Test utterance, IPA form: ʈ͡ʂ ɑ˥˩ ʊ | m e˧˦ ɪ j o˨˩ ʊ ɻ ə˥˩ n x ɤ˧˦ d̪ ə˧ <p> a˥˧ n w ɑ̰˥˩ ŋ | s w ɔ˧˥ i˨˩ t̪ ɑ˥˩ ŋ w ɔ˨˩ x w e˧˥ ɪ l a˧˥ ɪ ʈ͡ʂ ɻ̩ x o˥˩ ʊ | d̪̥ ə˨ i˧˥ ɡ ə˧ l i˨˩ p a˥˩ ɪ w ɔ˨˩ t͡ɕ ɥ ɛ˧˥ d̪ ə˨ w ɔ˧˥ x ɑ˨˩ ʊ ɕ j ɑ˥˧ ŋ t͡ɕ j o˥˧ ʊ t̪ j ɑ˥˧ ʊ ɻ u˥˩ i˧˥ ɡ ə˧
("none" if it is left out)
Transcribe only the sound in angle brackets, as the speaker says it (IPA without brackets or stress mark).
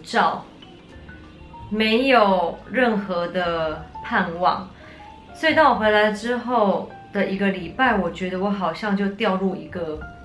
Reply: pʰ